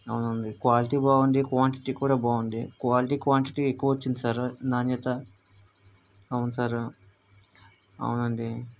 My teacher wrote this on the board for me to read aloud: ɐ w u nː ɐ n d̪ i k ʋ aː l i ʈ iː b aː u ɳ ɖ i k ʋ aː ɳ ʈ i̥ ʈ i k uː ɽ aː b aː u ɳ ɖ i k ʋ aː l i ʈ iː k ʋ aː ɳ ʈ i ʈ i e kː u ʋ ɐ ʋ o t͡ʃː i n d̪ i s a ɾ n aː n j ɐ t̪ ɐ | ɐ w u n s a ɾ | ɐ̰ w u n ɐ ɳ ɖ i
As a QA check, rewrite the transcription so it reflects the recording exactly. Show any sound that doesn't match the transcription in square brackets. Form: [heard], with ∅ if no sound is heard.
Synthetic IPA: ɐ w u [n] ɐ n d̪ i k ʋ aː l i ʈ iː b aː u ɳ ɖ i k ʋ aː ɳ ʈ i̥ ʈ i k uː ɽ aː b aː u ɳ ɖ i k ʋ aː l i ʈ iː k ʋ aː ɳ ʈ i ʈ i e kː u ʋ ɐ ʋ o t͡ʃː i n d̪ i s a ɾ n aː n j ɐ t̪ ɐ | ɐ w u n s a ɾ | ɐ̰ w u n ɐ ɳ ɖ i